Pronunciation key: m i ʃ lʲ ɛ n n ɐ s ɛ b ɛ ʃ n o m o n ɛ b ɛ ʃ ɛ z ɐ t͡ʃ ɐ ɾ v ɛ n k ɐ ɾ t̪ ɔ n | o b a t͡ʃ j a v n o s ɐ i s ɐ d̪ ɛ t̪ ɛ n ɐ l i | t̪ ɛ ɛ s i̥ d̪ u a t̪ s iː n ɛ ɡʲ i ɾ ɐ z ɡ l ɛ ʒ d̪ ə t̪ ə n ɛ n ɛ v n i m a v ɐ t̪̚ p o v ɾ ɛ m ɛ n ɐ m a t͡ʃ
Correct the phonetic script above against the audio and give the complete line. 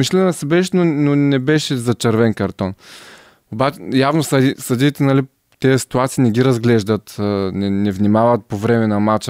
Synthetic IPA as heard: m i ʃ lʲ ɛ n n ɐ s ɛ b ɛ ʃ n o n o n ɛ b ɛ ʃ ɛ z ɐ t͡ʃ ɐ ɾ v ɛ n k ɐ ɾ t̪ ɔ n | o b a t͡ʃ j a v n o s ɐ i s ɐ d̪ i t̪ ɛ n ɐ l i | t̪ ɛ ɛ s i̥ t̪ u a t̪ s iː n ɛ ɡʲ i ɾ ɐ z ɡ l ɛ ʒ d̪ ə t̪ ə n ɛ n ɛ v n i m a v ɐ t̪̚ p o v ɾ ɛ m ɛ n ɐ m a t͡ʃ